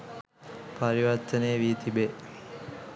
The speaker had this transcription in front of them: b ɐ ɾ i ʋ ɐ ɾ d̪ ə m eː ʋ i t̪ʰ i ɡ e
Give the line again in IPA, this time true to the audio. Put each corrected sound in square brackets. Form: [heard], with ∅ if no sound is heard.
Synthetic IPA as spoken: [p] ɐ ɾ i ʋ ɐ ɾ [t̪] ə [n] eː ʋ i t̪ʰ i [b] e